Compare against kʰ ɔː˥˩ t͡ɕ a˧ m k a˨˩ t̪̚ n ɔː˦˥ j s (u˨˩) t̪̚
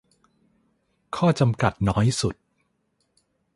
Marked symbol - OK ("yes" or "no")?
yes